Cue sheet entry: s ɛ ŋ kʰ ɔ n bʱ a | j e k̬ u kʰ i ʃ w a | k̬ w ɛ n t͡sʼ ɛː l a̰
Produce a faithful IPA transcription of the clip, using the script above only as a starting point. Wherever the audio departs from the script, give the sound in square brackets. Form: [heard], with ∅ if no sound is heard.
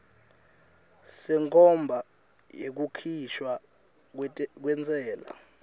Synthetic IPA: s ɛ ŋ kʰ ɔ [m] bʱ a | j e k̬ u kʰ i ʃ w a | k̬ w ɛ n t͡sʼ ɛː l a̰